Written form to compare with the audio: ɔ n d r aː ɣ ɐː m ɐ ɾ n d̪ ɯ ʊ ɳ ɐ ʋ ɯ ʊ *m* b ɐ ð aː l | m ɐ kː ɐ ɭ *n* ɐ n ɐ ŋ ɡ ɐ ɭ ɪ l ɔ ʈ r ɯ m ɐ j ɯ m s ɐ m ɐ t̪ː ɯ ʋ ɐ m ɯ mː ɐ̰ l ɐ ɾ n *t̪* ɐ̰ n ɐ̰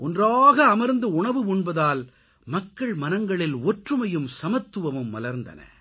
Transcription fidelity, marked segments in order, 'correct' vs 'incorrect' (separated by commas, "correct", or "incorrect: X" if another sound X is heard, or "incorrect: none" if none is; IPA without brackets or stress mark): incorrect: ɳ, incorrect: m, incorrect: d̪